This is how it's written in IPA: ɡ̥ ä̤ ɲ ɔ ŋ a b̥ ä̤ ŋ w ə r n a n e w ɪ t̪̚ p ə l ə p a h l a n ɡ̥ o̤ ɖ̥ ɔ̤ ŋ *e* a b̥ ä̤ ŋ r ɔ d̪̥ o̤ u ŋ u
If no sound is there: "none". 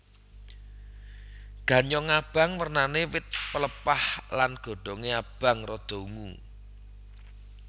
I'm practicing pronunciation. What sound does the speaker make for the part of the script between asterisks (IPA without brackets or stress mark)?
e